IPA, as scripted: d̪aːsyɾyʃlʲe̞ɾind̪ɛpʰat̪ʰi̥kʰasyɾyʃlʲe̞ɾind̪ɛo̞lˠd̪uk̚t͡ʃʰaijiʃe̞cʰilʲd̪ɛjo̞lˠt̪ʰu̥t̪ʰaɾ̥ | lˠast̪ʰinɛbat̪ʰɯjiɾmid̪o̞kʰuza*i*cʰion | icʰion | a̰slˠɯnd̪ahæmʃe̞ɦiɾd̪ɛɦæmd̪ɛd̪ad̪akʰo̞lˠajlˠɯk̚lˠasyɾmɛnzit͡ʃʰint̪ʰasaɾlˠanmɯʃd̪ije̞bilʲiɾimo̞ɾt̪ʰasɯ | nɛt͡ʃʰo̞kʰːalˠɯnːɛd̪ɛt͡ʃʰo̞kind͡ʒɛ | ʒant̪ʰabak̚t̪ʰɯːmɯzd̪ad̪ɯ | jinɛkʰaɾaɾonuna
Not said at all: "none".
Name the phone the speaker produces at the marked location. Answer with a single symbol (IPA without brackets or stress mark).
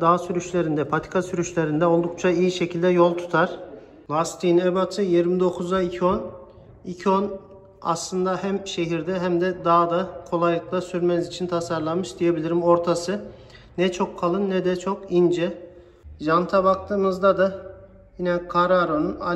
i